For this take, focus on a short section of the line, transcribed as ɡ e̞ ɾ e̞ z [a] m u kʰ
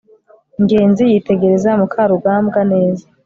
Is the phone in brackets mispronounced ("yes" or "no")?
no